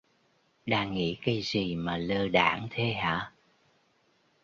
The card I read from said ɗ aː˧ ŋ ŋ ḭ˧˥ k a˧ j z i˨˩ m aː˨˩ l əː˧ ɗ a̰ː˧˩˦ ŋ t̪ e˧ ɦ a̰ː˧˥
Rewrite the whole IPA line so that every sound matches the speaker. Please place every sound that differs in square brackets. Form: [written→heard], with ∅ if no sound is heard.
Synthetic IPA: ɗ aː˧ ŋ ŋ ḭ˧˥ k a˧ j z i˨˩ m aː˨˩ l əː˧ ɗ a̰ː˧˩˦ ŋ [t̪→t̪ʰ] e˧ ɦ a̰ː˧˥